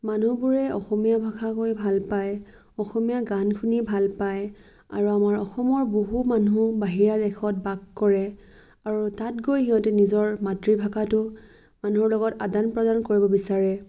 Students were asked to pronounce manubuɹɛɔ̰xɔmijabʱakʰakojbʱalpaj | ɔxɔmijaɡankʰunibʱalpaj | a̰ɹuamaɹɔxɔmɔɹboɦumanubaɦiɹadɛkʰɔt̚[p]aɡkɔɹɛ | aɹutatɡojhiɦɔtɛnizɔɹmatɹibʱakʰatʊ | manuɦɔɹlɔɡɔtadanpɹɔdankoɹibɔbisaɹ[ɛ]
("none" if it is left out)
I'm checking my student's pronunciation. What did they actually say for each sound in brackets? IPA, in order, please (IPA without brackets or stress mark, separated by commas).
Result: b, ɛ